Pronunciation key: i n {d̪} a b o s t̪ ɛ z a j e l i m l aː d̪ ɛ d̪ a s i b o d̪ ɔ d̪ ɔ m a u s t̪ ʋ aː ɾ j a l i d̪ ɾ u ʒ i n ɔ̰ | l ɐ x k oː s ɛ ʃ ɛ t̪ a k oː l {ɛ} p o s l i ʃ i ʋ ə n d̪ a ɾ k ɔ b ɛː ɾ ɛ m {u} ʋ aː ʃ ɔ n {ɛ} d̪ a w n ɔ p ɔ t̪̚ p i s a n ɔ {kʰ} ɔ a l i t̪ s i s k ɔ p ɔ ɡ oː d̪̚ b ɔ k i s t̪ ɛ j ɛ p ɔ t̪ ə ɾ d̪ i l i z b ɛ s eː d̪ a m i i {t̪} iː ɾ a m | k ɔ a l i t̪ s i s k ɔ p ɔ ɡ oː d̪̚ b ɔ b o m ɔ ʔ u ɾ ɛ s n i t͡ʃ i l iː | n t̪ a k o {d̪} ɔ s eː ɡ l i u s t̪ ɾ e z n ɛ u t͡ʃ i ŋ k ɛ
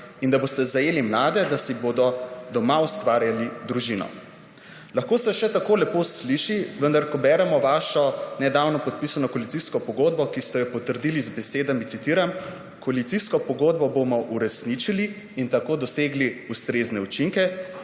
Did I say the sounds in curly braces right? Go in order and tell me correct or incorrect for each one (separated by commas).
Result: correct, correct, incorrect, correct, incorrect, correct, correct